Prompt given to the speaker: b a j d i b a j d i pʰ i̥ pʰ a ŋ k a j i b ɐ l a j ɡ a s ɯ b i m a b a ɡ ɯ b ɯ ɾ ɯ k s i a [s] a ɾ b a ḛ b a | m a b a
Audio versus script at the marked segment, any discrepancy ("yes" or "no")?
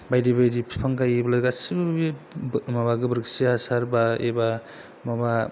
no